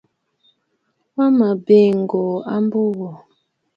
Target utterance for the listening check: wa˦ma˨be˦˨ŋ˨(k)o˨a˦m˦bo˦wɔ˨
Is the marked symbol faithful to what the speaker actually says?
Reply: no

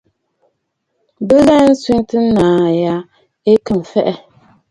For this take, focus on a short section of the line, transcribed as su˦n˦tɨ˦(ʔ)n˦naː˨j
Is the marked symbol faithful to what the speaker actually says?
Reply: no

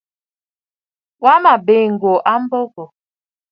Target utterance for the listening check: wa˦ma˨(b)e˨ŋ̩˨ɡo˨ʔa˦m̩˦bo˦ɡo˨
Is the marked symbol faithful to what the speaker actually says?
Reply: yes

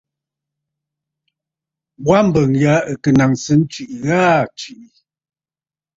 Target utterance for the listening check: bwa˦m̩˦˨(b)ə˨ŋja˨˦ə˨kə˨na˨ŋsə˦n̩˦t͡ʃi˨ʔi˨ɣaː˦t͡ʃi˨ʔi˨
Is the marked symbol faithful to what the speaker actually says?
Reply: yes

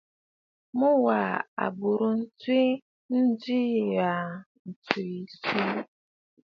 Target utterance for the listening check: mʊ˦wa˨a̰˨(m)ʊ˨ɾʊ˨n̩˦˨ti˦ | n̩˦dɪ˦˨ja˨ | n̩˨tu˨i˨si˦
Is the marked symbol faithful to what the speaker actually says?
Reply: no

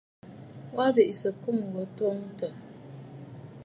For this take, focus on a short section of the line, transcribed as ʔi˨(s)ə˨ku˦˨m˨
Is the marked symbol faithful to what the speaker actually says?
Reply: yes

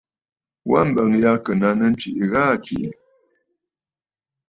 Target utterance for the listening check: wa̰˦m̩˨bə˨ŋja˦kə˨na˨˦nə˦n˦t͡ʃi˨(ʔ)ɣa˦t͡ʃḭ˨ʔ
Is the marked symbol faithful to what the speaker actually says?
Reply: yes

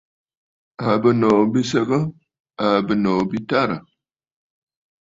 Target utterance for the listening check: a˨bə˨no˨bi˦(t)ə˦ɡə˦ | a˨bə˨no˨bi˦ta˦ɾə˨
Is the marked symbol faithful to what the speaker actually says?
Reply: no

